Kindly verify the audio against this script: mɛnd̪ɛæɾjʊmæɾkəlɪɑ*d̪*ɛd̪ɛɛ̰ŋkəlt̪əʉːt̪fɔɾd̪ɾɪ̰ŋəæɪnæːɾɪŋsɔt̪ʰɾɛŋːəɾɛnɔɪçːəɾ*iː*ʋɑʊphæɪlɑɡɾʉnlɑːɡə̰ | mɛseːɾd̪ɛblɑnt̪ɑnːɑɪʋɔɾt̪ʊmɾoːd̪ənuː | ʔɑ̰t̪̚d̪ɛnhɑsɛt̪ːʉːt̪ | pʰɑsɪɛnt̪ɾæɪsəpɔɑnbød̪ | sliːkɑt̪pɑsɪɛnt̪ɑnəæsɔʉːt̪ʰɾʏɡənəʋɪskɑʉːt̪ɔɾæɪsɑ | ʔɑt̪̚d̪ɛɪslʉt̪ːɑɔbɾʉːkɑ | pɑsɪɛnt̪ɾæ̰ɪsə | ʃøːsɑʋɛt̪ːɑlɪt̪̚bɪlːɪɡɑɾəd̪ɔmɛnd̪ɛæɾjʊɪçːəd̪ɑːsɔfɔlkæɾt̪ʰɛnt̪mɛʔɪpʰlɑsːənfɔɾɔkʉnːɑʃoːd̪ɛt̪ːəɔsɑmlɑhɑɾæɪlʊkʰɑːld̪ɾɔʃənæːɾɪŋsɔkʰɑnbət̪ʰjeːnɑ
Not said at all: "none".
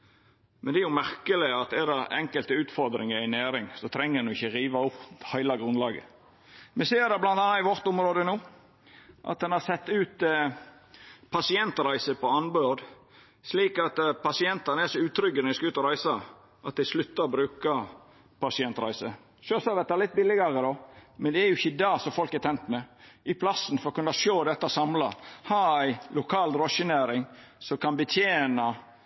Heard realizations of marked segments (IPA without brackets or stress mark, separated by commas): t̪, iː